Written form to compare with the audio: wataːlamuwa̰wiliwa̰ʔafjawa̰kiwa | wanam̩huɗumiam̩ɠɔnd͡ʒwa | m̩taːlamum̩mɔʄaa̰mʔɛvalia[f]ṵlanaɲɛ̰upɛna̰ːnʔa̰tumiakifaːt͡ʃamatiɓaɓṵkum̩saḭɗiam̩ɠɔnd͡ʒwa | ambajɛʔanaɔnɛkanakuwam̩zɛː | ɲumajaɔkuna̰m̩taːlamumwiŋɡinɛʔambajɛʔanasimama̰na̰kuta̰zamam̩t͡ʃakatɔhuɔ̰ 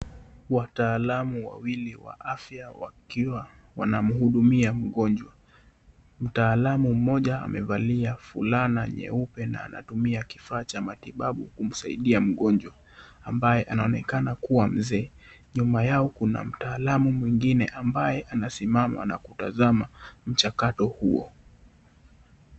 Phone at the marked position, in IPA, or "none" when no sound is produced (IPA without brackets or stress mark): f